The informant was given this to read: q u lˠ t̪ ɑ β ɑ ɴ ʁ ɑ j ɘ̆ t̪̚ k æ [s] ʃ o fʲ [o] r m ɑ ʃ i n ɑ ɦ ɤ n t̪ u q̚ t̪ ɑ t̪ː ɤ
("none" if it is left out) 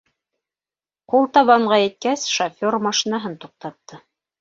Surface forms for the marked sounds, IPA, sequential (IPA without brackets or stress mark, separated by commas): s, o